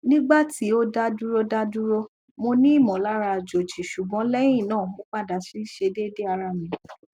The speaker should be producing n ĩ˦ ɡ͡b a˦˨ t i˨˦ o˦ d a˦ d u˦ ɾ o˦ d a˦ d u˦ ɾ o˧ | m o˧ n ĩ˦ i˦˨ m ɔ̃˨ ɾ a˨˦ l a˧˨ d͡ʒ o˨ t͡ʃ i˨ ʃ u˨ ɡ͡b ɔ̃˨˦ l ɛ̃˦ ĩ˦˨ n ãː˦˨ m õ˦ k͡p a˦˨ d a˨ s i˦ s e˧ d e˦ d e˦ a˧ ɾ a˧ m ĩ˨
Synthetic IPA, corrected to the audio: n ĩ˦ ɡ͡b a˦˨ t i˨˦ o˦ d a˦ d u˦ ɾ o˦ d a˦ d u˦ ɾ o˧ | m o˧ n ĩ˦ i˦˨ m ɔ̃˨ l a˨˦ ɾ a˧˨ d͡ʒ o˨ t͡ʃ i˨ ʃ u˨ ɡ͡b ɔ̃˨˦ l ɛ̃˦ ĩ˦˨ n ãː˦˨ m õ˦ k͡p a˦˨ d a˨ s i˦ ʃ e˧ d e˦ d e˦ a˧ ɾ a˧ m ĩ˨

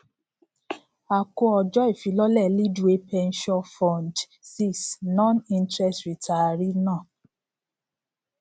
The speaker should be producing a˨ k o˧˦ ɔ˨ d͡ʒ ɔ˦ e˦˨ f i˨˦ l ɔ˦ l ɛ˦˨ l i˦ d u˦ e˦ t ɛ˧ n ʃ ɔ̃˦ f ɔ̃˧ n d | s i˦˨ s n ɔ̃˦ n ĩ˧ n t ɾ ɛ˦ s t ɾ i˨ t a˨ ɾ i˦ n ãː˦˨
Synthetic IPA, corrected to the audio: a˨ k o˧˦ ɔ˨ d͡ʒ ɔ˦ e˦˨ f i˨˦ l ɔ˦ l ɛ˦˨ l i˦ d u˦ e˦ p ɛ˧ n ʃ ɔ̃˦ f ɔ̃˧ n d | s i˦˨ s n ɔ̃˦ n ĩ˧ n t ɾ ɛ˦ s t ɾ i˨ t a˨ ɾ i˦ n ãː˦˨

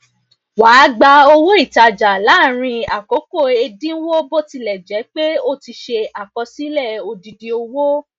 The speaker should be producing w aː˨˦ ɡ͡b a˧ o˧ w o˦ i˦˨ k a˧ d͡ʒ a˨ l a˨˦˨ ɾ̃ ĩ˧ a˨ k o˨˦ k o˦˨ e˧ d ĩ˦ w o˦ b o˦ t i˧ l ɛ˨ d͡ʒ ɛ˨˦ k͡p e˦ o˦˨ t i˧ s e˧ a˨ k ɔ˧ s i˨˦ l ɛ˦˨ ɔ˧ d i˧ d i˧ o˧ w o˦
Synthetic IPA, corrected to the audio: w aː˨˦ ɡ͡b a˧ o˧ w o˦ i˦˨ t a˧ d͡ʒ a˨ l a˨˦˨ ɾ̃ ĩ˧ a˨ k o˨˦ k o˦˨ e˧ d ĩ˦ w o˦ b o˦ t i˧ l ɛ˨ d͡ʒ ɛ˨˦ k͡p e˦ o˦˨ t i˧ ʃ e˧ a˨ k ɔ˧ s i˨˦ l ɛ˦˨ o˧ d i˧ d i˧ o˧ w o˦

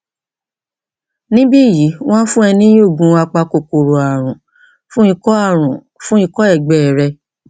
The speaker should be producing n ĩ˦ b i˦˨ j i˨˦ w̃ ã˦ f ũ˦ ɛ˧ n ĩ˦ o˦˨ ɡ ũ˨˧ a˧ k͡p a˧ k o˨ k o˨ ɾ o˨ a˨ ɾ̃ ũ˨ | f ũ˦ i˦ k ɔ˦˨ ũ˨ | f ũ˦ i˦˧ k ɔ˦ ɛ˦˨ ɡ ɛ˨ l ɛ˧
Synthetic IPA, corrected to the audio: n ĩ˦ b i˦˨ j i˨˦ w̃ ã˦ f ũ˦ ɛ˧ n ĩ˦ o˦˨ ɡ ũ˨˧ a˧ k͡p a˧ k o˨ k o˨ ɾ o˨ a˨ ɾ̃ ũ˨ | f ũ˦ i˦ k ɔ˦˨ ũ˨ | f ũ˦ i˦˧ k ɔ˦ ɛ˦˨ ɡ͡b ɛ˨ ɾ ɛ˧

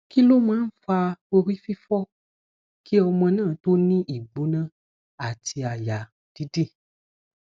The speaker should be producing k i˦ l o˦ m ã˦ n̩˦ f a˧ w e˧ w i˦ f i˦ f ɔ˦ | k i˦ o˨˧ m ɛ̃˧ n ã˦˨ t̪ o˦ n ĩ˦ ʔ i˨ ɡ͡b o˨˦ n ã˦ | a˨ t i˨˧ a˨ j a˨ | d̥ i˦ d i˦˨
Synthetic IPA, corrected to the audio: k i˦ l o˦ m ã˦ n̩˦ f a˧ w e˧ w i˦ f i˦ f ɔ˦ | k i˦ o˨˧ m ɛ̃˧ n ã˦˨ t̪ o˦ n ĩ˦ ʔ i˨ ɡ͡b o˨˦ n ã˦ | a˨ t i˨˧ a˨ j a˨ | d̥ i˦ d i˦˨

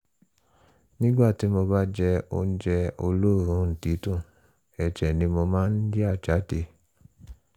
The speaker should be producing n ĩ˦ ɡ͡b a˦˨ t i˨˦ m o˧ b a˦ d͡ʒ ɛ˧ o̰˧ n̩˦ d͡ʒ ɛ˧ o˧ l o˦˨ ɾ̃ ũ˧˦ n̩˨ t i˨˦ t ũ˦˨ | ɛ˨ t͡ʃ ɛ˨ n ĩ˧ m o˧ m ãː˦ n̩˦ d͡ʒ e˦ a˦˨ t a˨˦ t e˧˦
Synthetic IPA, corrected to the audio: n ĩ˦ ɡ͡b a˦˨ t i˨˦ m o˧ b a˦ d͡ʒ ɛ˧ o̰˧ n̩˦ d͡ʒ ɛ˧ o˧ l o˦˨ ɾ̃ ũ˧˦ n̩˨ t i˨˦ t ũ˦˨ | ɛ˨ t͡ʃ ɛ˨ n ĩ˧ m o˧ m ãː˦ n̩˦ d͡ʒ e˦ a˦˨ t͡ʃ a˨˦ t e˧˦

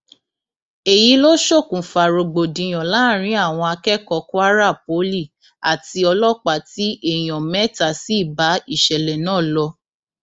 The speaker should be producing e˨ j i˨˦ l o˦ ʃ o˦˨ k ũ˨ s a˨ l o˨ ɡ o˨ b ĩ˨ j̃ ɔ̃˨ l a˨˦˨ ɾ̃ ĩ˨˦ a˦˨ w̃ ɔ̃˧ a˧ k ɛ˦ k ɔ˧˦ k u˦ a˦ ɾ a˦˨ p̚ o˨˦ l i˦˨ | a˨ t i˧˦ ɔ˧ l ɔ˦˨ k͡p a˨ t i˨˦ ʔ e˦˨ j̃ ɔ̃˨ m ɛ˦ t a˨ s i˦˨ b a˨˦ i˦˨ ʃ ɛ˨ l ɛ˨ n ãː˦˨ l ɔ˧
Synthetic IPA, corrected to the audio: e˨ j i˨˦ l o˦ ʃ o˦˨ k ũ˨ f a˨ ɾ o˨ ɡ͡b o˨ d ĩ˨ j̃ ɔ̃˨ l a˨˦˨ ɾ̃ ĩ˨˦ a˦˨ w̃ ɔ̃˧ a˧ k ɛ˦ k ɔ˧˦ k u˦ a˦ ɾ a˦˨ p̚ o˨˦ l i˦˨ | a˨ t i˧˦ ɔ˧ l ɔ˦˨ k͡p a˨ t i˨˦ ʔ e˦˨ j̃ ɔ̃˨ m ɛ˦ t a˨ s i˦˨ b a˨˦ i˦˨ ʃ ɛ˨ l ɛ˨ n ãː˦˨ l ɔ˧

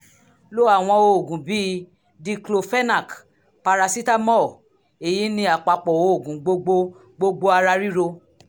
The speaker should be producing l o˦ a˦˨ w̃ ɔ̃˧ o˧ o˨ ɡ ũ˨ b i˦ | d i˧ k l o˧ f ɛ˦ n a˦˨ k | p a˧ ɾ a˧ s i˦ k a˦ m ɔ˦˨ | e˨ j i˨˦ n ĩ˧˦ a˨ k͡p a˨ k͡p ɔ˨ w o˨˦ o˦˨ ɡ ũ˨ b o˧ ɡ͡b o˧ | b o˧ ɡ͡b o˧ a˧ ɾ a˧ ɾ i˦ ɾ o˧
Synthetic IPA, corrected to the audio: l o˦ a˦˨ w̃ ɔ̃˧ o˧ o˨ ɡ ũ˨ b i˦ | d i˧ k l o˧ f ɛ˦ n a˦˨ k | p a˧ ɾ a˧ s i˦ t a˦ m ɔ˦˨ | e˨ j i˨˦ n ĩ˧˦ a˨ k͡p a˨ k͡p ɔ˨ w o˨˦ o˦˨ ɡ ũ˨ ɡ͡b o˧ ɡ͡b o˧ | ɡ͡b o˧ ɡ͡b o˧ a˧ ɾ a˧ ɾ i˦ ɾ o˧

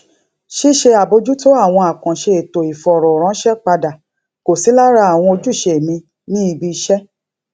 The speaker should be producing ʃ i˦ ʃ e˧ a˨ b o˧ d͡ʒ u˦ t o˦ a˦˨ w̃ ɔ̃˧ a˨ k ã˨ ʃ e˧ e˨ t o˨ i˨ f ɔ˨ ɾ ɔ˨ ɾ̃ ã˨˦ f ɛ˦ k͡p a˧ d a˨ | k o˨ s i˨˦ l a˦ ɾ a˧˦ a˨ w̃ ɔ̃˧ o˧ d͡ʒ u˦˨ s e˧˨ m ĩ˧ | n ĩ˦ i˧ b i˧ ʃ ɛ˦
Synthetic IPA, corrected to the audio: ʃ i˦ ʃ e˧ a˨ b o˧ d͡ʒ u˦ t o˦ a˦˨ w̃ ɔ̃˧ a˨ k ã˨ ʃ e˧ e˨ t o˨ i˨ f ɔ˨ ɾ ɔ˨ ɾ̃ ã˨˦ ʃ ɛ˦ k͡p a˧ d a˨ | k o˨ s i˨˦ l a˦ ɾ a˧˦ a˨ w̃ ɔ̃˧ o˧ d͡ʒ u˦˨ ʃ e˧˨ m ĩ˧ | n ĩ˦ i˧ b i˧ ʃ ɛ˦

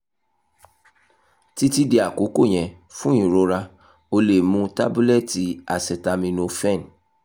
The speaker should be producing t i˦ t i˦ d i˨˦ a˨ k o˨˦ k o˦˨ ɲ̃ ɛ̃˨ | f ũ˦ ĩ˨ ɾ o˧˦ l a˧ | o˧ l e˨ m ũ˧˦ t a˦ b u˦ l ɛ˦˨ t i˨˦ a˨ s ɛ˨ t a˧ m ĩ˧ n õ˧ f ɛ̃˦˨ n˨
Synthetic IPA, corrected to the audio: t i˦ t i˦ d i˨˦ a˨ k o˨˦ k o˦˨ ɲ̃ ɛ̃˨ | f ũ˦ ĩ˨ ɾ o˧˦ ɾ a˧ | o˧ l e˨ m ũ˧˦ t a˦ b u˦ l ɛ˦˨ t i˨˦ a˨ s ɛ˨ t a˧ m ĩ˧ n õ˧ f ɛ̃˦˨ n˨

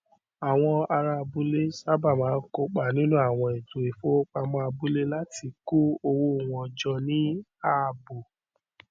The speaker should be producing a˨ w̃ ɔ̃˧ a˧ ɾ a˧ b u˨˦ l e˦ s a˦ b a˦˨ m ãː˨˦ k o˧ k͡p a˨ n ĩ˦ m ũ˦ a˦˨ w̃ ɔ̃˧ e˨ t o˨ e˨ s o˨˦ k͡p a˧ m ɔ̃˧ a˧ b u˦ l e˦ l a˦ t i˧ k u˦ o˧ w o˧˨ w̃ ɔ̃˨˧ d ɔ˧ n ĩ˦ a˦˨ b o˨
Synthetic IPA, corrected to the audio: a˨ w̃ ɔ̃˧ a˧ ɾ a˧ b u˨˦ l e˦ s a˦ b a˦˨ m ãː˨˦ k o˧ k͡p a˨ n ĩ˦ n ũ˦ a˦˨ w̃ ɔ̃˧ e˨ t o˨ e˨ f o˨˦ k͡p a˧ m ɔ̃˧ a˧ b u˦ l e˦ l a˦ t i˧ k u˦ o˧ w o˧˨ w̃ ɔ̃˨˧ d͡ʒ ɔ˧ n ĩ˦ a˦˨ b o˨

